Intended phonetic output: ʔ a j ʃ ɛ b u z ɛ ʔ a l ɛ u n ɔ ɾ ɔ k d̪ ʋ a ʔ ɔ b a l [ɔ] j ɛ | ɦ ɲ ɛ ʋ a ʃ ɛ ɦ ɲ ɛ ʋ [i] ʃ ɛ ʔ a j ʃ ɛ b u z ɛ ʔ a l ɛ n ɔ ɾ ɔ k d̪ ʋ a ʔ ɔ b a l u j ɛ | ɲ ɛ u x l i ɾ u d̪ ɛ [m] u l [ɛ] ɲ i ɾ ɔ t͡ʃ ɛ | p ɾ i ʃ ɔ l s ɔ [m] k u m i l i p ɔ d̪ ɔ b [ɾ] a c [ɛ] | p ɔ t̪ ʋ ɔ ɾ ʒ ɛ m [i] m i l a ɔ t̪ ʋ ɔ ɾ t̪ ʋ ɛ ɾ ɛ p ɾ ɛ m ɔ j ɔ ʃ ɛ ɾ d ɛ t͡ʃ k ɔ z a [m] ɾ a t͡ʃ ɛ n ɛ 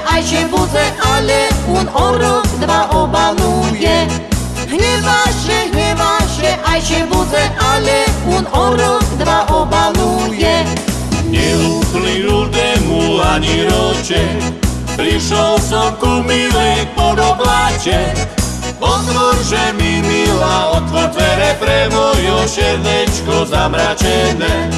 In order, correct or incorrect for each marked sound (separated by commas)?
incorrect, incorrect, correct, incorrect, correct, incorrect, correct, correct, correct